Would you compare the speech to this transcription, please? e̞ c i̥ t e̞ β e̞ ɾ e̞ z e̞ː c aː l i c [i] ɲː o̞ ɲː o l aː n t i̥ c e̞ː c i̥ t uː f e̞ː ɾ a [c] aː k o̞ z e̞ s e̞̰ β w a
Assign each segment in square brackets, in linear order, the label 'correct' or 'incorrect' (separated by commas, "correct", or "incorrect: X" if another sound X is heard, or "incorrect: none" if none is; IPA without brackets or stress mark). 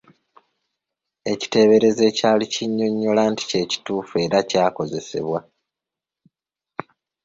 correct, correct